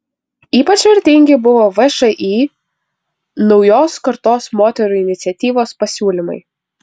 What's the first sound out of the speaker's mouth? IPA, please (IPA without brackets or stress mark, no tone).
iː